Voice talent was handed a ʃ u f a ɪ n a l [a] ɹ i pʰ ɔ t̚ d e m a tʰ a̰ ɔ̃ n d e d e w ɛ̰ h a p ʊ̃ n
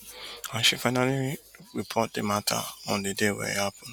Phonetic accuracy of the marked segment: incorrect: i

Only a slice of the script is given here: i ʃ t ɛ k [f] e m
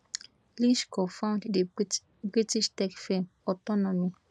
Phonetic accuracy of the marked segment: correct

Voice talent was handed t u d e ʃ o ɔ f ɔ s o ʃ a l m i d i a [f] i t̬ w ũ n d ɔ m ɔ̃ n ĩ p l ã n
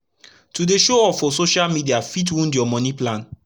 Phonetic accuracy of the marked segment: correct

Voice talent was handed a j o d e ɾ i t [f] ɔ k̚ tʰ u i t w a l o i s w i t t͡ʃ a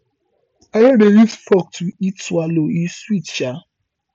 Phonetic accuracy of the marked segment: correct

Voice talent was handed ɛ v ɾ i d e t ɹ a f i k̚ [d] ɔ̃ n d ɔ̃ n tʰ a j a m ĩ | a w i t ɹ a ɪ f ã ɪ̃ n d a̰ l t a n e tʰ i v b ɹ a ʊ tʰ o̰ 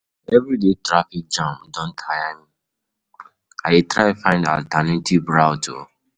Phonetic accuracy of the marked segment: incorrect: d͡ʒ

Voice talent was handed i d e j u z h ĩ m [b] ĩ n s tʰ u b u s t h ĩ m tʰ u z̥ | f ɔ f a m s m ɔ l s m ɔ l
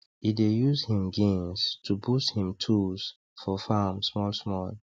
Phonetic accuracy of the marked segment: incorrect: ɡ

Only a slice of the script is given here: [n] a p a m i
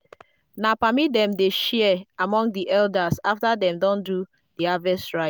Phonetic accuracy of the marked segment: correct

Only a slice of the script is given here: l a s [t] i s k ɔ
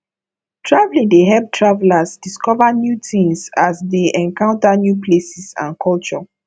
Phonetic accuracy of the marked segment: incorrect: d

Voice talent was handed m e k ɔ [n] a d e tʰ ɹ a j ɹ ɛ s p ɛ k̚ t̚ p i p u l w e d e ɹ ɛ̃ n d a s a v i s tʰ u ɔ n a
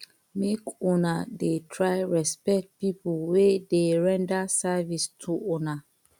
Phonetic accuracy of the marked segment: correct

